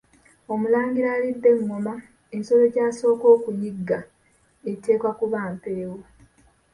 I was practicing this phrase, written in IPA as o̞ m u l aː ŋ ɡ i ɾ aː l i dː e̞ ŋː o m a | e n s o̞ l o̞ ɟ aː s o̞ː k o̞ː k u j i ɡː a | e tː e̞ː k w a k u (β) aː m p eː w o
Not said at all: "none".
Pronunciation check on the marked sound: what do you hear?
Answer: β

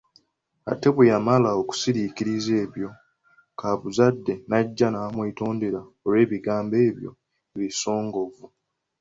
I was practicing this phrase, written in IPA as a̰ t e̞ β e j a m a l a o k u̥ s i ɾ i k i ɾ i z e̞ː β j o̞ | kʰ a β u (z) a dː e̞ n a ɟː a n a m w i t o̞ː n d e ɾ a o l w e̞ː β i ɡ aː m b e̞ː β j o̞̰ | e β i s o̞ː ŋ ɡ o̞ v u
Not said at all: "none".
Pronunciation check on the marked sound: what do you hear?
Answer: z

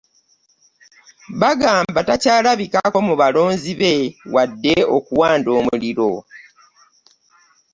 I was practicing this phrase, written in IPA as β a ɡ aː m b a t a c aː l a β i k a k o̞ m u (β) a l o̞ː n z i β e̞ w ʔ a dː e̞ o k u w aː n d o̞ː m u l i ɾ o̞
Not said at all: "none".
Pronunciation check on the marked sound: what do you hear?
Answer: β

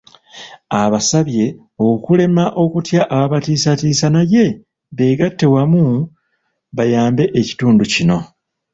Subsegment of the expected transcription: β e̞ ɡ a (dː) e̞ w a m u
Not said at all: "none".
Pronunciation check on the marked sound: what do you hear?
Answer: tː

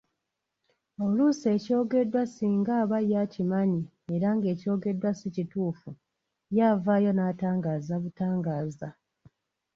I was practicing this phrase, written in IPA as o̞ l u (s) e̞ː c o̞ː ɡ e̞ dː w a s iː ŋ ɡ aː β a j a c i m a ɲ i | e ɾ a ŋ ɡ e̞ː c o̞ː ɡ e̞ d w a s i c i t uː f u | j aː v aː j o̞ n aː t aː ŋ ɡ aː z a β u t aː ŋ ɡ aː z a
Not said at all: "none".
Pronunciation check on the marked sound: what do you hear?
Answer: s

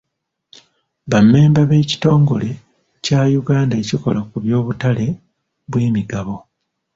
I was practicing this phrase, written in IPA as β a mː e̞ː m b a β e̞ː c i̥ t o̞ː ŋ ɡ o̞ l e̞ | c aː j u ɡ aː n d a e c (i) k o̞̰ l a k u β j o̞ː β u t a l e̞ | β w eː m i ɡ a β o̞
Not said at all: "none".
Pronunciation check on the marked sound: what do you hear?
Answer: i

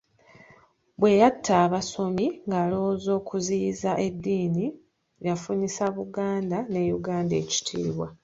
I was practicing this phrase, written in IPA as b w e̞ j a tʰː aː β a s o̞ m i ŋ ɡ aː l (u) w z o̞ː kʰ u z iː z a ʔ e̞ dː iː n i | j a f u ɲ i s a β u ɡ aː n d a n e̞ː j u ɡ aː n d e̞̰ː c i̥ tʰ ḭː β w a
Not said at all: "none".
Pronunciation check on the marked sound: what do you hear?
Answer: o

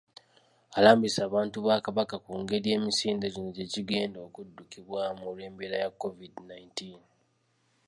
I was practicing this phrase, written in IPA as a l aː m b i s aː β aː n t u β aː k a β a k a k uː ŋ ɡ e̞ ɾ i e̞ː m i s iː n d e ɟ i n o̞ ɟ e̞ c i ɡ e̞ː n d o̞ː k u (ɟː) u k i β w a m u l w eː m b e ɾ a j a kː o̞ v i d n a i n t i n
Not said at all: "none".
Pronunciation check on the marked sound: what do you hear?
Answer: dː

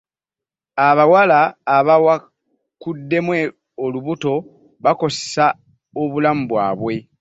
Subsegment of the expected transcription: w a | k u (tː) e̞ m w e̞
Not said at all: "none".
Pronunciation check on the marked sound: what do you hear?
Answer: dː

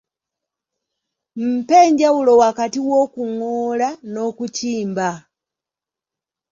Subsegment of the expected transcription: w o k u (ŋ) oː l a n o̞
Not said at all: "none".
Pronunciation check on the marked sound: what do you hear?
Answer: ŋ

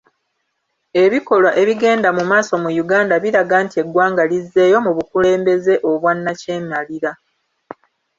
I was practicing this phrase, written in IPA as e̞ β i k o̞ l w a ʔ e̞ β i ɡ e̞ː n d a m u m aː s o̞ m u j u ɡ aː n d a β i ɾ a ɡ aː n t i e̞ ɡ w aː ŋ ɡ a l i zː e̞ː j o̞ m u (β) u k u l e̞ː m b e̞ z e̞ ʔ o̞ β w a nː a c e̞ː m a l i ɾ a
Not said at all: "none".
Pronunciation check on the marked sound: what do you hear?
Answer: β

